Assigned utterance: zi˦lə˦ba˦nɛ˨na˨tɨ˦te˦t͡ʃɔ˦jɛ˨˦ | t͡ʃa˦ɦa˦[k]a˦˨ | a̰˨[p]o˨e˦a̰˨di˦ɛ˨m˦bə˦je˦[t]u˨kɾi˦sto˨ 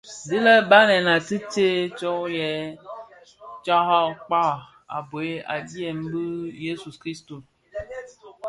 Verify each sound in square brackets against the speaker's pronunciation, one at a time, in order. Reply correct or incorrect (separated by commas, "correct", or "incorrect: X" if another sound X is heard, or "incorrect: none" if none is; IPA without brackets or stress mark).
incorrect: k͡p, incorrect: b, incorrect: s